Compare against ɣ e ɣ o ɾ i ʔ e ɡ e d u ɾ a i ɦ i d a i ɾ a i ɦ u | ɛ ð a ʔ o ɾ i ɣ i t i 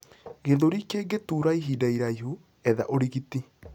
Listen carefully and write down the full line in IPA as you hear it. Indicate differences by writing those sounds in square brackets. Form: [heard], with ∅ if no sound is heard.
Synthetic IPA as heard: ɣ e [ð] o ɾ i [k] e ɡ e [t] u ɾ a i ɦ i d a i ɾ a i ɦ u | ɛ ð a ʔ o ɾ i ɣ i t i